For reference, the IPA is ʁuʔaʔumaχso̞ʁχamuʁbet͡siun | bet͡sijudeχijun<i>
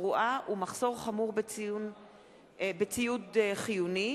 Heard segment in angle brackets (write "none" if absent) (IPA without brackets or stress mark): i